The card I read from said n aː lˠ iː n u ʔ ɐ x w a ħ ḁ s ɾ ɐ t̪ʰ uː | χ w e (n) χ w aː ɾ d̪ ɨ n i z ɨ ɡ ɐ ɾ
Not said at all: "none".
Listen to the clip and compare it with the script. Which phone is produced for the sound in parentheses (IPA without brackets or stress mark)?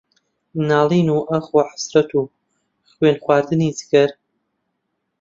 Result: n